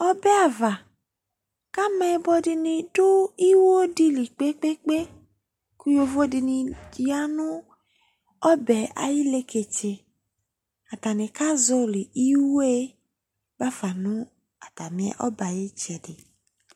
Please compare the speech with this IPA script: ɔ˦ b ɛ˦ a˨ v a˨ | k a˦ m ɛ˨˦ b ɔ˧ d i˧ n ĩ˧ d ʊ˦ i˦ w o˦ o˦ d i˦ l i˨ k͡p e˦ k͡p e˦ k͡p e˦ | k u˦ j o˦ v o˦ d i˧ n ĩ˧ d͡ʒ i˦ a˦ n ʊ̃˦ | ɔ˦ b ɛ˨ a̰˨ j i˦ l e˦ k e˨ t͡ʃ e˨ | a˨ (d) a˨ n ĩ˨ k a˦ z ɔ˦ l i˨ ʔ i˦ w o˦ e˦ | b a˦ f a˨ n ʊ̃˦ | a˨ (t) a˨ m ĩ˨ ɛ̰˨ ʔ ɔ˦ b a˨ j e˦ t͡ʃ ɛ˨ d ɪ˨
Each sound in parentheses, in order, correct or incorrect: incorrect: t, correct

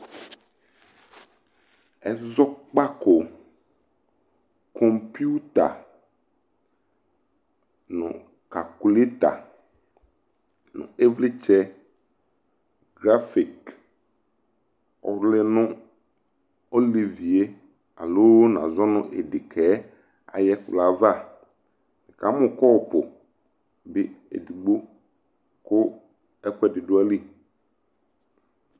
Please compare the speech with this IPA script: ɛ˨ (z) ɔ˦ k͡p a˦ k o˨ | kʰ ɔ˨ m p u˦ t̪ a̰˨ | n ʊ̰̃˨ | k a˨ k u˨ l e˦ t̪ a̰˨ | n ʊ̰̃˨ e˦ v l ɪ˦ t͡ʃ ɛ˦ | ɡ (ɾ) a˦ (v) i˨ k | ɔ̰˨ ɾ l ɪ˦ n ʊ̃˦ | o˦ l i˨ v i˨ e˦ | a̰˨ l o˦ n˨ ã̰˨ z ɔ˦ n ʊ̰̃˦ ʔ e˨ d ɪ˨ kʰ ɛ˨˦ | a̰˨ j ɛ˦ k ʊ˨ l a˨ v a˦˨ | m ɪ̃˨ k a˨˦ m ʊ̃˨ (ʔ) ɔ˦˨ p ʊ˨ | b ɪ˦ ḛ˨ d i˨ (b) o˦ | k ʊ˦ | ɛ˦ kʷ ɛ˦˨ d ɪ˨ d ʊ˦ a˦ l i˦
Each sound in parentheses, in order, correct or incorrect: correct, correct, incorrect: f, incorrect: k, incorrect: ɡ͡b

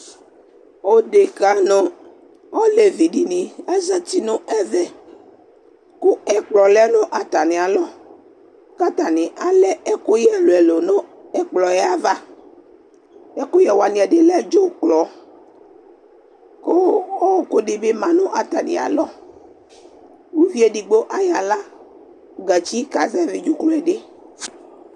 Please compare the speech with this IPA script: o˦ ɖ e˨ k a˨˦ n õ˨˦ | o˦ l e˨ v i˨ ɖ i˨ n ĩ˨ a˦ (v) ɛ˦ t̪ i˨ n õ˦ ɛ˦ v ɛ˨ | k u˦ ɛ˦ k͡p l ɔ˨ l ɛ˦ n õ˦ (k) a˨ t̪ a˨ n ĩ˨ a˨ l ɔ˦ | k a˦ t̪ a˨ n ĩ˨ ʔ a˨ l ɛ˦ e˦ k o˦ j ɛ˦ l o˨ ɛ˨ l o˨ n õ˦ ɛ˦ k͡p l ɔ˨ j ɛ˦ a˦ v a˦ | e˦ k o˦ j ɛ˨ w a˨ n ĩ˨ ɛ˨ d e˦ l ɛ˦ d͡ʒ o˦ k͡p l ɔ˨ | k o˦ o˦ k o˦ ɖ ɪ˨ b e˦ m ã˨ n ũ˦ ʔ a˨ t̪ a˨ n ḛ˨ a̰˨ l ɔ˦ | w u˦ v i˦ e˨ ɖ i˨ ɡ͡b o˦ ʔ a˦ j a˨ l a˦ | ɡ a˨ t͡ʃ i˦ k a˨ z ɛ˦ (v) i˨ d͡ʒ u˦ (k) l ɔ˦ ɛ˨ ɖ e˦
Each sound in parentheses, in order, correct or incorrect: incorrect: z, incorrect: ʔ, correct, correct

